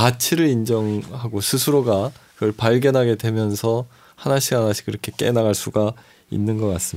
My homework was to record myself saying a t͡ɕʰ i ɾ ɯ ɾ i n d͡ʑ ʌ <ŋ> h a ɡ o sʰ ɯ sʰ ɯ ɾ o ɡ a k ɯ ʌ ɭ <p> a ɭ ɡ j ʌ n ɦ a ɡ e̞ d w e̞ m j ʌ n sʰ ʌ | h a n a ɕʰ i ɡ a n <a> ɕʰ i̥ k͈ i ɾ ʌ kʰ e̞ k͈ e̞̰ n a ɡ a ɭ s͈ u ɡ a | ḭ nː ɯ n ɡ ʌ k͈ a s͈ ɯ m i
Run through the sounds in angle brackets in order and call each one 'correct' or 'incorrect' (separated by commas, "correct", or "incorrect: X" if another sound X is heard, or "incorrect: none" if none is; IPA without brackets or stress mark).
correct, correct, correct